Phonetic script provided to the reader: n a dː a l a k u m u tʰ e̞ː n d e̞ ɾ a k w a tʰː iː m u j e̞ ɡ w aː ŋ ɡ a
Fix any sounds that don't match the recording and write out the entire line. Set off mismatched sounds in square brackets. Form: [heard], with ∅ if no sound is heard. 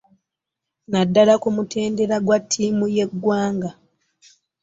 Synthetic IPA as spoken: n a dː a l a k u m u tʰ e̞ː n d e̞ ɾ a [ɡ] w a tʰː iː m u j e̞ ɡ w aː ŋ ɡ a